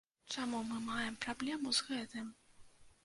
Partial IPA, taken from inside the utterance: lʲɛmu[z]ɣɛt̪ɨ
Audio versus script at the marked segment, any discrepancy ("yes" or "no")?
no